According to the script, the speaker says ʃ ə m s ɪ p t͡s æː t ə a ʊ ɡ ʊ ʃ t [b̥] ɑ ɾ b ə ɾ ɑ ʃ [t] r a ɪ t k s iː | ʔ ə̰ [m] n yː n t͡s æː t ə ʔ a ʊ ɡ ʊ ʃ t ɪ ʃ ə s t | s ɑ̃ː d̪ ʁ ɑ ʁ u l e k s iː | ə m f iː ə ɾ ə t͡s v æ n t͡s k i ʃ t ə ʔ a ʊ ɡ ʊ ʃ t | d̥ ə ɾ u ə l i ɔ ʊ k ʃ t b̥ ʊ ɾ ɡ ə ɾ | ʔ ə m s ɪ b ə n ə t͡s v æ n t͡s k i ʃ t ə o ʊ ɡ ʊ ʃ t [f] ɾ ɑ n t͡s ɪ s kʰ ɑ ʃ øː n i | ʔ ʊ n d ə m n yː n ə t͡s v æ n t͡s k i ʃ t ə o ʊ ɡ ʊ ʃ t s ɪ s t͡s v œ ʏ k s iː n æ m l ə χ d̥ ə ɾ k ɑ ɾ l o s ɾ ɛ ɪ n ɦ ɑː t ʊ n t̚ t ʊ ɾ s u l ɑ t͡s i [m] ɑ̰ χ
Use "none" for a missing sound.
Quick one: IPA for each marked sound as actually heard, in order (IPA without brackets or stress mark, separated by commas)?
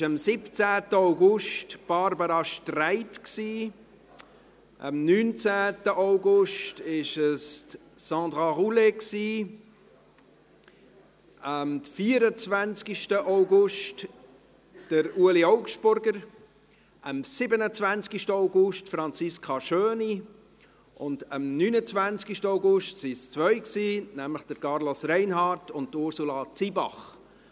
b̥, t, m, f, b